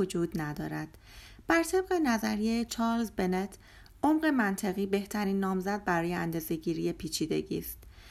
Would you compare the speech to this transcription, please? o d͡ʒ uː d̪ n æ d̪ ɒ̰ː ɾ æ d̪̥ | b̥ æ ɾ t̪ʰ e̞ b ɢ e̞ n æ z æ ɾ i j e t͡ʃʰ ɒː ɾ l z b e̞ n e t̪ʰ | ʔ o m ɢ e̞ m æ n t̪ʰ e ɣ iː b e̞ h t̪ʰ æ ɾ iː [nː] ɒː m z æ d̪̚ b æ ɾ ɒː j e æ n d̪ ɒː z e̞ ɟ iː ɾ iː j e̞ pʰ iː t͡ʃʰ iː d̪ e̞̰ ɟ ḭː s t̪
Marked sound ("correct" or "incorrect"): correct